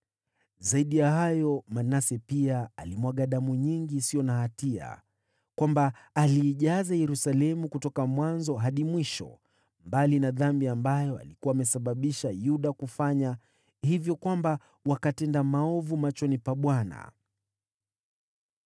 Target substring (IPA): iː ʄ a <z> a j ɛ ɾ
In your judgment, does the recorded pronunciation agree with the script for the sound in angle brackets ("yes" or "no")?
yes